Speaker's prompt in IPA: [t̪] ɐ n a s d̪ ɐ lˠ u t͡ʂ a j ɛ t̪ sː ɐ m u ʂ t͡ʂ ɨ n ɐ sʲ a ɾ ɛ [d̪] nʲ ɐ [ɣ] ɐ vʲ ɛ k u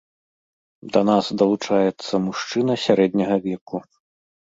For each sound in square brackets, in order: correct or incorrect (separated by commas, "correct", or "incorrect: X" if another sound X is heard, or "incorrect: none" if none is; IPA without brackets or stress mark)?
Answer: incorrect: d̪, correct, correct